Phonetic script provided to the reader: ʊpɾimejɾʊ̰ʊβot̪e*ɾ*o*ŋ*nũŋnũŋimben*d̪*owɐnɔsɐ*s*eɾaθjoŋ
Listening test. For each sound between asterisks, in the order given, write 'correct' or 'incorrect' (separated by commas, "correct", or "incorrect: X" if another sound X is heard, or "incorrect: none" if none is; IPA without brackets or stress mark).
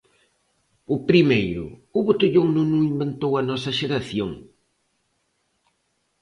incorrect: ʎ, correct, incorrect: t̪, incorrect: ʃ